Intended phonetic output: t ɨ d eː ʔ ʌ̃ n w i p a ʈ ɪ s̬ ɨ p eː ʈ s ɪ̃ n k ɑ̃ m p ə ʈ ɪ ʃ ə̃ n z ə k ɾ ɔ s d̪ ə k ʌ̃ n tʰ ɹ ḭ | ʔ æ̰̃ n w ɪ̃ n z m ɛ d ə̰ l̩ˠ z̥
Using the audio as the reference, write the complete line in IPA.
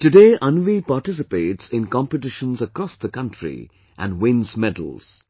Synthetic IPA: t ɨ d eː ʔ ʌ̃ n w i p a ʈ ɪ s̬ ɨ p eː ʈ s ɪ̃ n k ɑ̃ m p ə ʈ ɪ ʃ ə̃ n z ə k ɾ ɔ s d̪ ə k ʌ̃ n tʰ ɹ ḭ | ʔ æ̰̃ n w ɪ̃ n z m ɛ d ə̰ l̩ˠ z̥